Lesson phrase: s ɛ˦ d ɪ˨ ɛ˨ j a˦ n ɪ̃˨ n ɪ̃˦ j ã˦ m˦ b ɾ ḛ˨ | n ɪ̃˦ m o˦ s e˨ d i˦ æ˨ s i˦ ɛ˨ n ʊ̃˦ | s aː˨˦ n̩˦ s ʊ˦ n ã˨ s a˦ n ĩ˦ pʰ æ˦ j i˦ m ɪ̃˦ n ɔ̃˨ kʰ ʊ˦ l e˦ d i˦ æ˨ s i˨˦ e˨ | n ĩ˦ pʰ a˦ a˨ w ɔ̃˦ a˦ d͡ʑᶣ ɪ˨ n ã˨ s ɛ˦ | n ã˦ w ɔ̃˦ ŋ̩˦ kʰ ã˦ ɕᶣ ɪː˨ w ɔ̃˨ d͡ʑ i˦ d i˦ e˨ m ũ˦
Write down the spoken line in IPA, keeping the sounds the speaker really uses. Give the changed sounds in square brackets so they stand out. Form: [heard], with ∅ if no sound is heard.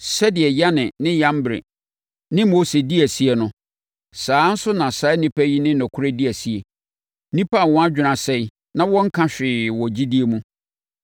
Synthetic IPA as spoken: s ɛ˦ d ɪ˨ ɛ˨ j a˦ n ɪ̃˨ n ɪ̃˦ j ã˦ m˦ b ɾ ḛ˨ | n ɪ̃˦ m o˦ s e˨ d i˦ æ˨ s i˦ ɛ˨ n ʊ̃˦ | s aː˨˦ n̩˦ s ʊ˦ n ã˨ s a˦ n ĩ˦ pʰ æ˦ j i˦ [n] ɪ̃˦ n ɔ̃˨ kʰ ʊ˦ [ɾ] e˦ d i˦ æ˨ s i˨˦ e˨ | n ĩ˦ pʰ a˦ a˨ w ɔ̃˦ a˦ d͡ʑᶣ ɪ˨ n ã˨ s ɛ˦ | n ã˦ w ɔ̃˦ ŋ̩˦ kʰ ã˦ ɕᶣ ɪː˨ w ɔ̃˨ d͡ʑ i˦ d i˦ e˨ m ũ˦